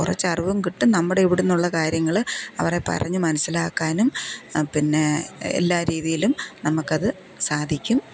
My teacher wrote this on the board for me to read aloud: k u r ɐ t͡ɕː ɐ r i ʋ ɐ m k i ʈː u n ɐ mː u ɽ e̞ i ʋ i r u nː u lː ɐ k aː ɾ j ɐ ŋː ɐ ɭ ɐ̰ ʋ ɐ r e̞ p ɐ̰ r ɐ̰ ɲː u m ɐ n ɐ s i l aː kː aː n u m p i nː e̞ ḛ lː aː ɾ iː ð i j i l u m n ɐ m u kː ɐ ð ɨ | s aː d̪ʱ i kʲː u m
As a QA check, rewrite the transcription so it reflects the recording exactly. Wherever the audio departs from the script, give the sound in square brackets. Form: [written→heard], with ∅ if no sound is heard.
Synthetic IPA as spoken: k u r ɐ t͡ɕː ɐ r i ʋ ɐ m k i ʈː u n ɐ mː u ɽ e̞ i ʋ i [r→ɽ] u nː u [lː→ɭː] ɐ k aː ɾ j ɐ ŋː ɐ ɭ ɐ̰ ʋ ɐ r e̞ p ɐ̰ r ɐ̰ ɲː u m ɐ n ɐ s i l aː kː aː n u m p i nː e̞ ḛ lː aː ɾ iː ð i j i l u m n ɐ m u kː ɐ ð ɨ | s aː d̪ʱ i kʲː u m

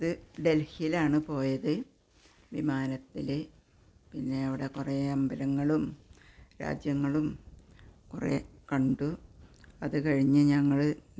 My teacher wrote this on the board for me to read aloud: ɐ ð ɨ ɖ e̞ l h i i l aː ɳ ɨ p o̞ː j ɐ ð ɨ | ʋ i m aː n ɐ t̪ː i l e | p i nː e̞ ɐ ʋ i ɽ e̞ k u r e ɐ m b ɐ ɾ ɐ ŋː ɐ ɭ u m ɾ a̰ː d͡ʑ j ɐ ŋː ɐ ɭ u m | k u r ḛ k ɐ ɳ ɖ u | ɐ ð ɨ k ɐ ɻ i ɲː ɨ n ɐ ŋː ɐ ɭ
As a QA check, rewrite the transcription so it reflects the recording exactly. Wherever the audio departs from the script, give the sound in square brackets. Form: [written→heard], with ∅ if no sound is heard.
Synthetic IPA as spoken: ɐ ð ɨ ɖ e̞ l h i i l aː ɳ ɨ p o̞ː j ɐ ð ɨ | ʋ i m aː n ɐ t̪ː i l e | p i nː e̞ ɐ ʋ i ɽ e̞ k u r e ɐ m b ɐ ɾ ɐ ŋː ɐ ɭ u m ɾ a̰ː d͡ʑ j ɐ ŋː ɐ ɭ u m | k u r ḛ k ɐ ɳ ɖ u | ɐ ð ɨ k ɐ ɻ i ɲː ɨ [n→ɲ] ɐ ŋː ɐ ɭ

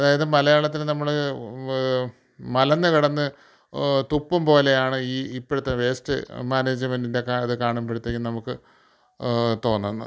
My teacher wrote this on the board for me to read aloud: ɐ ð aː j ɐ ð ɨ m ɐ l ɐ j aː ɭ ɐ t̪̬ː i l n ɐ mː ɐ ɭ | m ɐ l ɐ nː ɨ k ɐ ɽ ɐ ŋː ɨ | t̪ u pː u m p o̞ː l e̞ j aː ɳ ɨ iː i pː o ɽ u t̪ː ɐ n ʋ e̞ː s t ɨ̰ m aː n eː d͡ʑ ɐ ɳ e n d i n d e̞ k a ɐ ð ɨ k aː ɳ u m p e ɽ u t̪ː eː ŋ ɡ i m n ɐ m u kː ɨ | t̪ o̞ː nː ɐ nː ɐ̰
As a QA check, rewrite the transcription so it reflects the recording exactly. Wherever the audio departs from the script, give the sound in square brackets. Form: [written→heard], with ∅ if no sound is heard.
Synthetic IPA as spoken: ɐ ð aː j ɐ ð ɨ m ɐ l ɐ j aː ɭ ɐ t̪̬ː i l n ɐ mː ɐ ɭ | m ɐ l ɐ nː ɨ k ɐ ɽ ɐ [ŋː→nː] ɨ | t̪ u pː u m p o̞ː l e̞ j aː ɳ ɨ iː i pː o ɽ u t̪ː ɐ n ʋ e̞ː s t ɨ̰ m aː n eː d͡ʑ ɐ [ɳ→m] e n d i n d e̞ k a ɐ ð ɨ k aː ɳ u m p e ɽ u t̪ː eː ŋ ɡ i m n ɐ m u kː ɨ | t̪ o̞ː nː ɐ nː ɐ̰

